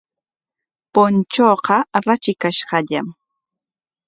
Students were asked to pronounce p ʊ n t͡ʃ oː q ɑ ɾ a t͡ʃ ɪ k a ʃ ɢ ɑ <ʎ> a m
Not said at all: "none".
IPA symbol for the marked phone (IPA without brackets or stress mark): ʎ